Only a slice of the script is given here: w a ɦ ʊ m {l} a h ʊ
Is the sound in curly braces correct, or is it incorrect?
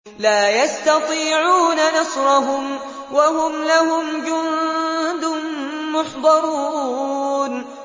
correct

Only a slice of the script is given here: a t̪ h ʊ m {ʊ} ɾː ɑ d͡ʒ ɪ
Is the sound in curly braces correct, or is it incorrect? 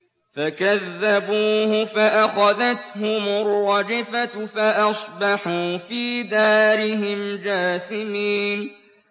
correct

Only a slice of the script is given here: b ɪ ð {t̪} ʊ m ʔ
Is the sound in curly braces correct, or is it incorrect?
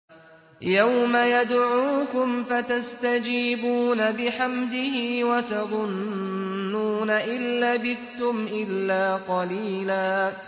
correct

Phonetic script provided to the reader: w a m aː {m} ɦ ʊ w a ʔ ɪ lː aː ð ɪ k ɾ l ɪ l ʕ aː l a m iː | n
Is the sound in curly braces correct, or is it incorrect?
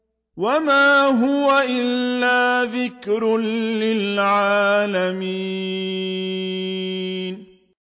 incorrect: none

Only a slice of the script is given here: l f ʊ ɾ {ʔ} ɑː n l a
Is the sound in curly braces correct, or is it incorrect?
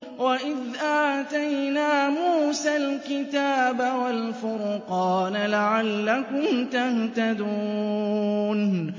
incorrect: q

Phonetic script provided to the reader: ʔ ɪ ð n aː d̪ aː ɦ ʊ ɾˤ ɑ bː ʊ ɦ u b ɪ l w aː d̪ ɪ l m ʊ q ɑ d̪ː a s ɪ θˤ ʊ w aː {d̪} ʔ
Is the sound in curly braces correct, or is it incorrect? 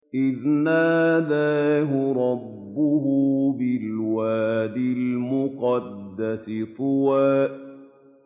incorrect: none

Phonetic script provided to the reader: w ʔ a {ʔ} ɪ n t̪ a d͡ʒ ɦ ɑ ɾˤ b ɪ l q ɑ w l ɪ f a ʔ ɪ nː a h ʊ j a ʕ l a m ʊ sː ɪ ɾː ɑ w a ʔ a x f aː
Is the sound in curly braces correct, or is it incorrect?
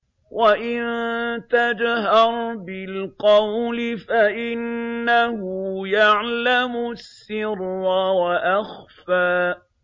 correct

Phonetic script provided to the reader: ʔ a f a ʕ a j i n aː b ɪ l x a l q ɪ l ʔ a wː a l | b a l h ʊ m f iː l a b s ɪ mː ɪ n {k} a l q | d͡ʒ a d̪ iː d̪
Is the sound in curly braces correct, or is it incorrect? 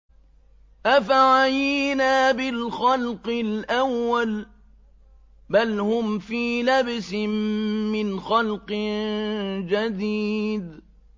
incorrect: x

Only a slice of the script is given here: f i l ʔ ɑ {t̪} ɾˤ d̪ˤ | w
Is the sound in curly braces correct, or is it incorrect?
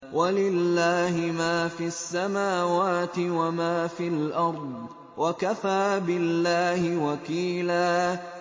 incorrect: none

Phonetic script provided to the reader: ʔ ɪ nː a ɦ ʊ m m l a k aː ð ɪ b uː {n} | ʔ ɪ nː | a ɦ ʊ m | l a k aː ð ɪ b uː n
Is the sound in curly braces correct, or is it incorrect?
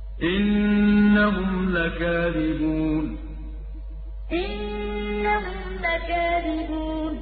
correct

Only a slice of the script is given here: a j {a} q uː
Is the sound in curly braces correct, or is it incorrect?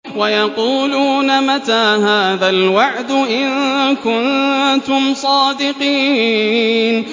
incorrect: ɑ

